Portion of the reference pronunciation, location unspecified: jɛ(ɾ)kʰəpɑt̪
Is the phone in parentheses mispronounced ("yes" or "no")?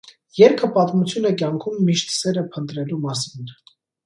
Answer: no